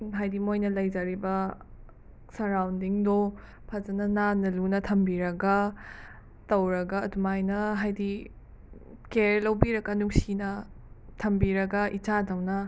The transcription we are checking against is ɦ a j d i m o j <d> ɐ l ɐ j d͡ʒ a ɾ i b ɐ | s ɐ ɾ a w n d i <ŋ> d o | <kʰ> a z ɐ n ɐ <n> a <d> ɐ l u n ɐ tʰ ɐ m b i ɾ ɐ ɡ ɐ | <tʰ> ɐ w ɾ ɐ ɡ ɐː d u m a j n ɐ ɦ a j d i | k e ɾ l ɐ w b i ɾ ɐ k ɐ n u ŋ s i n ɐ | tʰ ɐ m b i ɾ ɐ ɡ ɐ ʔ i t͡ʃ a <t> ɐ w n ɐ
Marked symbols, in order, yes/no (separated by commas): no, yes, no, yes, no, no, no